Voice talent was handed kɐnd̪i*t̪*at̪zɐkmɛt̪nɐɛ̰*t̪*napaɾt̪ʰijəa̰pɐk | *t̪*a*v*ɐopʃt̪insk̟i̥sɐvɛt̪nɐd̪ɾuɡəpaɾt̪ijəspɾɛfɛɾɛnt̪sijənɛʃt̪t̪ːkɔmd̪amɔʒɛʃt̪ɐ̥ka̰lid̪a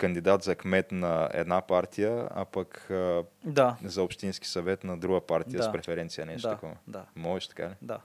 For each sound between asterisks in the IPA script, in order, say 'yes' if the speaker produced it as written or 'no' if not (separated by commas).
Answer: no, no, no, no